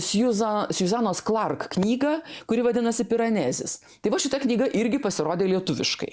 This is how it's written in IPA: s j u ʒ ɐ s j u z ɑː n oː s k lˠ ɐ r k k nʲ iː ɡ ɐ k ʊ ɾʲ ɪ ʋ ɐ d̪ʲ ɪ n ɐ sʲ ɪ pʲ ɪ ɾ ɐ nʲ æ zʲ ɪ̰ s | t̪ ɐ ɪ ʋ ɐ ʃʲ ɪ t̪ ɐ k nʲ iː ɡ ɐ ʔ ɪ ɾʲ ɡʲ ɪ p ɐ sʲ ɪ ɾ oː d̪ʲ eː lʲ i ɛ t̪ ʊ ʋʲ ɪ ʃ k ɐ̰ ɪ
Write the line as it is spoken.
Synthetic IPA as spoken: s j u z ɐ s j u z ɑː n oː s k lˠ ɐ r k k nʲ iː ɡ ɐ k ʊ ɾʲ ɪ ʋ ɐ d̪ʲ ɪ n ɐ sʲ ɪ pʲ ɪ ɾ ɐ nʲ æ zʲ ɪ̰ s | t̪ ɐ ɪ ʋ ɐ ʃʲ ɪ t̪ ɐ k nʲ iː ɡ ɐ ʔ ɪ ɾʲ ɡʲ ɪ p ɐ sʲ ɪ ɾ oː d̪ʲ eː lʲ i ɛ t̪ ʊ ʋʲ ɪ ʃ k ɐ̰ ɪ

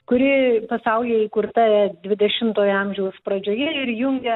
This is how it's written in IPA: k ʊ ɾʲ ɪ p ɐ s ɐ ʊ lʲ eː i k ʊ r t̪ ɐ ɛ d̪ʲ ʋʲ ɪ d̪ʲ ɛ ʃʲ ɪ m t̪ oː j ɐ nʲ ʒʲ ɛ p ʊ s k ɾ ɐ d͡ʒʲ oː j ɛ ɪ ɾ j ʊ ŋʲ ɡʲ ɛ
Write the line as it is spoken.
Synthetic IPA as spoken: k ʊ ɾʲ ɪ p ɐ s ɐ ʊ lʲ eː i k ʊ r t̪ ɐ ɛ d̪ʲ ʋʲ ɪ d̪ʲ ɛ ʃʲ ɪ m t̪ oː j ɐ mʲ ʒʲ ɛ ʊ s p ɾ ɐ d͡ʒʲ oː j ɛ ɪ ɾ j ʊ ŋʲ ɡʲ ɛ

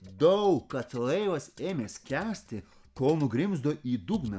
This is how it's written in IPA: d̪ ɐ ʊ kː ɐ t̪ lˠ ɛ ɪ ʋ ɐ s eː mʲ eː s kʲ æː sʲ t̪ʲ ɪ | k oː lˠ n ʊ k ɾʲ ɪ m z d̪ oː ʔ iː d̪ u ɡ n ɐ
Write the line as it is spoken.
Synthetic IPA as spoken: d̪ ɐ ʊ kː ɐ t̪ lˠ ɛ ɪ ʋ ɐ s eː mʲ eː s kʲ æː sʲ t̪ʲ ɪ | k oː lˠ n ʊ ɡ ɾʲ ɪ m z d̪ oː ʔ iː d̪ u ɡ n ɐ

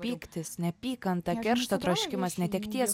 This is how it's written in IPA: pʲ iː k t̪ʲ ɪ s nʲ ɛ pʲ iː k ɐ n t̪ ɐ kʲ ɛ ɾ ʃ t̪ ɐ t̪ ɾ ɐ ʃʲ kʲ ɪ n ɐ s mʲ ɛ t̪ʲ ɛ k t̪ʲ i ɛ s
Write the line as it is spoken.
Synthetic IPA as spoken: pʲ iː k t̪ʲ ɪ s nʲ ɛ pʲ iː k ɐ n t̪ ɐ kʲ ɛ ɾ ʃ t̪ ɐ t̪ ɾ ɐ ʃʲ kʲ ɪ m ɐ s nʲ ɛ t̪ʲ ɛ k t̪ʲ i ɛ s

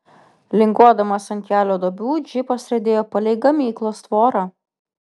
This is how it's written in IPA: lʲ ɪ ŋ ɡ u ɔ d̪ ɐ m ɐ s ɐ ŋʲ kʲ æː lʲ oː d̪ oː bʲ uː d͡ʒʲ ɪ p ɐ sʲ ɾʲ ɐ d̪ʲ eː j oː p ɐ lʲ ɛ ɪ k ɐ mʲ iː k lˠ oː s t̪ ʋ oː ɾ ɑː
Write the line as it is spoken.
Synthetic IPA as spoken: lʲ ɪ ŋ ɡ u ɔ d̪ ɐ m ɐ s ɐ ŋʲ kʲ æː lʲ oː d̪ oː bʲ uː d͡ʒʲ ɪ p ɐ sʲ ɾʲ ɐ d̪ʲ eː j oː p ɐ lʲ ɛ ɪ ɡ ɐ mʲ iː k lˠ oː s t̪ ʋ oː ɾ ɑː

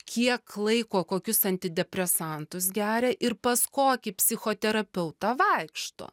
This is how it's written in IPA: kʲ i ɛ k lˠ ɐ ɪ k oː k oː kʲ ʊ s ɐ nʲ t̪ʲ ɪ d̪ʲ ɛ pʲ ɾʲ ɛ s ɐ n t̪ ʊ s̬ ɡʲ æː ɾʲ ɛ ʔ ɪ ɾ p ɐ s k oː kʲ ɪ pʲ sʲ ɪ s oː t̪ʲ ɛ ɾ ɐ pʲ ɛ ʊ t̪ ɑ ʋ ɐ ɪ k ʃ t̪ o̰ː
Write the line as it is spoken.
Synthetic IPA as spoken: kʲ i ɛ k lˠ ɐ ɪ k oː k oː kʲ ʊ s ɐ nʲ t̪ʲ ɪ d̪ʲ ɛ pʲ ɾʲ ɛ s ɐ n t̪ ʊ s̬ ɡʲ æː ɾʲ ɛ ʔ ɪ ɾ p ɐ s k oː kʲ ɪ pʲ sʲ ɪ x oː t̪ʲ ɛ ɾ ɐ pʲ ɛ ʊ t̪ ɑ ʋ ɐ ɪ k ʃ t̪ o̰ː

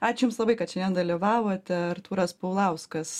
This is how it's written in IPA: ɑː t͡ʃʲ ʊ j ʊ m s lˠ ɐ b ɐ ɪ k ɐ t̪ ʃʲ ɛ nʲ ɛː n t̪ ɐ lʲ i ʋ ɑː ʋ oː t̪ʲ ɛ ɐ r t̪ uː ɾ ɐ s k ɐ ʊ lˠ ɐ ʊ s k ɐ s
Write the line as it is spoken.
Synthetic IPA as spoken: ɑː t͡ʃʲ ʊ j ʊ m s lˠ ɐ b ɐ ɪ k ɐ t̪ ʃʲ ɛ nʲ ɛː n d̪ ɐ lʲ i ʋ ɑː ʋ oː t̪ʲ ɛ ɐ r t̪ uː ɾ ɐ s p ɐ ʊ lˠ ɐ ʊ s k ɐ s

